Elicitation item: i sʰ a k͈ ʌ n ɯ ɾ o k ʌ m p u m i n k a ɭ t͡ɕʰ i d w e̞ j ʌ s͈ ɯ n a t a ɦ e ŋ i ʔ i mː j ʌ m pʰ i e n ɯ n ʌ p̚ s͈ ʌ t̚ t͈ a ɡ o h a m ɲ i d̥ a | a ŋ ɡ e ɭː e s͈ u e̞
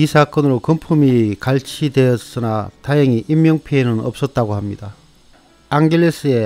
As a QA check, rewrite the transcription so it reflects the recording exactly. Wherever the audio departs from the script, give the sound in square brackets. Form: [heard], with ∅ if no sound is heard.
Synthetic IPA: i sʰ a k͈ ʌ n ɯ ɾ o k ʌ m [pʰ] u m i [∅] k a ɭ t͡ɕʰ i d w e̞ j ʌ s͈ ɯ n a t a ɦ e ŋ i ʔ i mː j ʌ [ŋ] pʰ i e n ɯ n ʌ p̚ s͈ ʌ t̚ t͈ a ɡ o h a m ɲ i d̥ a | a ŋ ɡ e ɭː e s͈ [ɯ] e̞